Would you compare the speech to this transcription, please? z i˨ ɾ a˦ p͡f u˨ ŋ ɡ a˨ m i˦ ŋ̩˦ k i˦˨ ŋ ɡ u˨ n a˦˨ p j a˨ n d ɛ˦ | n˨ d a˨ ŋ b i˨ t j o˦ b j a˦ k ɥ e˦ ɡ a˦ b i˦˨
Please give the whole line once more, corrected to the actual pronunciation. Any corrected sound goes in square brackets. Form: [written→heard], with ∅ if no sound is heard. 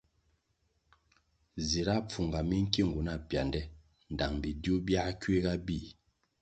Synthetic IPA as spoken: z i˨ ɾ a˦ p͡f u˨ ŋ ɡ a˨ m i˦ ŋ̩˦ k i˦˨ ŋ ɡ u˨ n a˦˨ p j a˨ n d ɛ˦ | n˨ d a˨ ŋ b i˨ [t→d] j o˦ b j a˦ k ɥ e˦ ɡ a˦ b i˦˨